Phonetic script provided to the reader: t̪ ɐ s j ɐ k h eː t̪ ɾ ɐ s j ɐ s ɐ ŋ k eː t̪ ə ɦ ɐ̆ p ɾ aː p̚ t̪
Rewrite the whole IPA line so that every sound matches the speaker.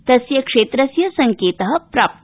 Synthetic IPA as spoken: t̪ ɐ s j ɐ k ʂ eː t̪ ɾ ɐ s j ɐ s ɐ ŋ k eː t̪ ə ɦ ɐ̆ p ɾ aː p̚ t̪